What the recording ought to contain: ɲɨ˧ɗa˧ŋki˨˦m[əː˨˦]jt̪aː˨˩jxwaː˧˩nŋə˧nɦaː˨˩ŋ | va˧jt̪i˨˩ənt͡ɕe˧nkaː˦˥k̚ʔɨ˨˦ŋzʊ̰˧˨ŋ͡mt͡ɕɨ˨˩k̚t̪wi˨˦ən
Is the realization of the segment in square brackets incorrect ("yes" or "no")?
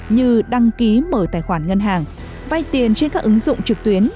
yes